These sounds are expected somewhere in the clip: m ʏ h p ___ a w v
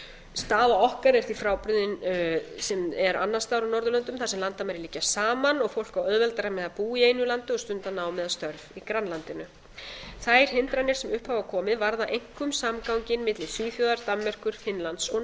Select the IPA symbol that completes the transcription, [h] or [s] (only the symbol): h